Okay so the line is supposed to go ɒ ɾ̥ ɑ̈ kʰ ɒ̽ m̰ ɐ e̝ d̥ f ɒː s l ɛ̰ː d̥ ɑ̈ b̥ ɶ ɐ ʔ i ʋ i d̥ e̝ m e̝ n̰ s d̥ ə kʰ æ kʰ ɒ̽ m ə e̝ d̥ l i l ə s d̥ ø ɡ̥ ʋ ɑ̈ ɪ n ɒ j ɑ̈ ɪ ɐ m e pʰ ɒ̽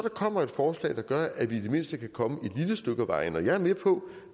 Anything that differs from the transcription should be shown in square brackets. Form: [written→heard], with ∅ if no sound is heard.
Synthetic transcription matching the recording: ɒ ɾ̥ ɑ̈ kʰ ɒ̽ m̰ ɐ e̝ d̥ f ɒː s l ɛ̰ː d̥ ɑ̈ [b̥→ɡ̥] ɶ ɐ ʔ [i→æ] ʋ i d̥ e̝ m e̝ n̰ s d̥ ə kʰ æ kʰ ɒ̽ m ə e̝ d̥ l i l ə s d̥ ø ɡ̥ ʋ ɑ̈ ɪ n ɒ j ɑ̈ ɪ ɐ m e pʰ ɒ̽